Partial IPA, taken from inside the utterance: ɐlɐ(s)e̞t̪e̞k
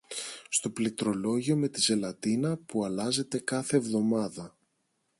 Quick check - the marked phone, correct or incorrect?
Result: incorrect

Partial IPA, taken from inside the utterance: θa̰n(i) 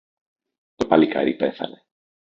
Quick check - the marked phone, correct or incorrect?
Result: incorrect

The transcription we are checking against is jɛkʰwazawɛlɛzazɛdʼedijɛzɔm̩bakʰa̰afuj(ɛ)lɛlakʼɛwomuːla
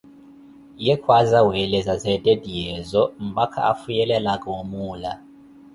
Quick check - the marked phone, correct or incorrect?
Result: correct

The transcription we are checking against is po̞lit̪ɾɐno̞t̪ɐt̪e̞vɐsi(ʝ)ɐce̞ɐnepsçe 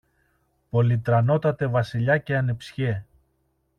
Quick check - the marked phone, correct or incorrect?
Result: incorrect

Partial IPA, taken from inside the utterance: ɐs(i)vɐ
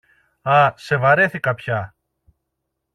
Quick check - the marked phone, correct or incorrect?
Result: incorrect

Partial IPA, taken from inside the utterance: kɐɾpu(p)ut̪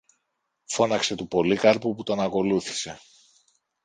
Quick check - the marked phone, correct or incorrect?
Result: correct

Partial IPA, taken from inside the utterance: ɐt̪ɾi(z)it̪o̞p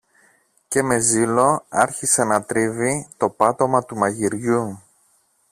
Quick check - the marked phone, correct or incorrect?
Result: incorrect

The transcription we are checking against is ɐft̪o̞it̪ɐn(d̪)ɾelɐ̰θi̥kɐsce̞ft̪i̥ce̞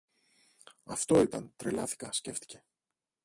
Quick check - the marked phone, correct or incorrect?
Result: incorrect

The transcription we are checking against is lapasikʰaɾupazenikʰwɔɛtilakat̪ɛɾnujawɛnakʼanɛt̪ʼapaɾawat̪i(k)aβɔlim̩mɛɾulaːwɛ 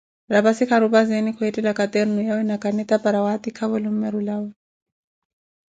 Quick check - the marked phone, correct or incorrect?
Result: incorrect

